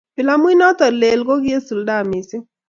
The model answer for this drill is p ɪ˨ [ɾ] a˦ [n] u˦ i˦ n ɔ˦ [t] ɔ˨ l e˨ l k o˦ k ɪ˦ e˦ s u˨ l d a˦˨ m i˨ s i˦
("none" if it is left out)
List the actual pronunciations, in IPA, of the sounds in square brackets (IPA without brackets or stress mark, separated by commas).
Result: l, m, t